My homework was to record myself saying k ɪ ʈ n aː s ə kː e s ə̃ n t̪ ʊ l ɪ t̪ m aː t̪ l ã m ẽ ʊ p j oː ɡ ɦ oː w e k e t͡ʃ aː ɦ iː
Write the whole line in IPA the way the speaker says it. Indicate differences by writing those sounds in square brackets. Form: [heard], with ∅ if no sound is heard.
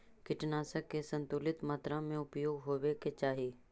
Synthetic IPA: k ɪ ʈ n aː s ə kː e s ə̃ n t̪ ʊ l ɪ t̪ m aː t̪ [ɾ] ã m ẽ ʊ p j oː ɡ ɦ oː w e k e t͡ʃ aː ɦ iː

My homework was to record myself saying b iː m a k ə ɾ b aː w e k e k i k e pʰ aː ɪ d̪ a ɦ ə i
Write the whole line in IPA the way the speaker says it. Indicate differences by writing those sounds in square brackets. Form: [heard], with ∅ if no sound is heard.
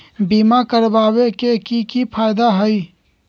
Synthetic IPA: b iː m a k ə ɾ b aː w e k e k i k [i] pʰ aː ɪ d̪ a ɦ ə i

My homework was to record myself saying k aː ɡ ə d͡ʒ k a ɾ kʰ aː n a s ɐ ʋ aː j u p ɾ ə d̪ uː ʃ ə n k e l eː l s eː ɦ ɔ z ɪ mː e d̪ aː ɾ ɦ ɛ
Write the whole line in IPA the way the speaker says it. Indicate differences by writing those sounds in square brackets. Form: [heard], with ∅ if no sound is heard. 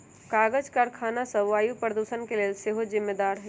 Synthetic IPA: k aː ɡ ə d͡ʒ k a ɾ kʰ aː n a s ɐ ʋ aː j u p ɾ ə d̪ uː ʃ ə n k e l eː l s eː ɦ [o] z ɪ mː e d̪ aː ɾ ɦ ɛ

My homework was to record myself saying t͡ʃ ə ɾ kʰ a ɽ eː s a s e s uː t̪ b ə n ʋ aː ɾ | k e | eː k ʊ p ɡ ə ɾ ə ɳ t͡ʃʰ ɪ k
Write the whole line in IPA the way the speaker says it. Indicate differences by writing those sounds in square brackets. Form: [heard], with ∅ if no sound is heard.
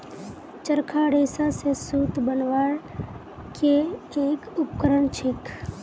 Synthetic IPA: t͡ʃ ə ɾ kʰ a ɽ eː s a s e s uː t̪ b ə n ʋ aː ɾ | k e | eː k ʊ p [k] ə ɾ ə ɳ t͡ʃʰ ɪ k

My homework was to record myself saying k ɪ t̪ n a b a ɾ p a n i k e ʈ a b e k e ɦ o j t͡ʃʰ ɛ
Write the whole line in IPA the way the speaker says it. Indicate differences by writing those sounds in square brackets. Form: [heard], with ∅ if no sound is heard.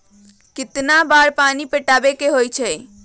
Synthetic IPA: k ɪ t̪ n a b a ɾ p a n i [p] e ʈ a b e k e ɦ o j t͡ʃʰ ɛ

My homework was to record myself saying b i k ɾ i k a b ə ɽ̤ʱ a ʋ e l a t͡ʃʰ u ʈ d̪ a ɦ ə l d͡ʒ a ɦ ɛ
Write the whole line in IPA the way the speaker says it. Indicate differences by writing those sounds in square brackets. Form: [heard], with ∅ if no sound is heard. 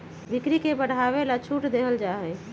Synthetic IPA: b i k ɾ i k [e] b ə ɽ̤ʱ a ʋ e l a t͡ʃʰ u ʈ d̪ [e] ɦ ə l d͡ʒ a ɦ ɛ

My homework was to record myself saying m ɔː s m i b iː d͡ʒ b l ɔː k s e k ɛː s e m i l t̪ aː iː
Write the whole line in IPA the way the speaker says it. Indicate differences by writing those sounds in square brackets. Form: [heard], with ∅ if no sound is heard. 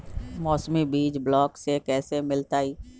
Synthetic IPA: m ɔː s m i b iː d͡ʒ b l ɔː k s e k ɛː s e m [ɪ] l t̪ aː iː

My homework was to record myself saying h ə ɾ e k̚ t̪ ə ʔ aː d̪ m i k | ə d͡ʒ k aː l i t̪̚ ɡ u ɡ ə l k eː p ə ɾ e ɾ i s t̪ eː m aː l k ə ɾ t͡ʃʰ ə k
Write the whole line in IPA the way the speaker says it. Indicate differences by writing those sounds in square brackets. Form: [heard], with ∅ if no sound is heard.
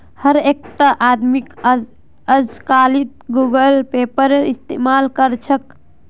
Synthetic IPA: h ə ɾ e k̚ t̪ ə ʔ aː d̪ m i k | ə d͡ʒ k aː l i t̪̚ ɡ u ɡ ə l [p] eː p ə ɾ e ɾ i s t̪ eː m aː l k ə ɾ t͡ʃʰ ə k

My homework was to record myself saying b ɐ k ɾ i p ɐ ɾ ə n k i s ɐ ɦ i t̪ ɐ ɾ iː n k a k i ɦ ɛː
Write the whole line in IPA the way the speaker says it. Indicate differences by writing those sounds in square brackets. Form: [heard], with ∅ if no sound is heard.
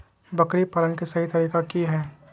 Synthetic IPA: b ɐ k ɾ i p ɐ ɾ ə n k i s ɐ ɦ i t̪ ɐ ɾ iː [∅] k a k i ɦ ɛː

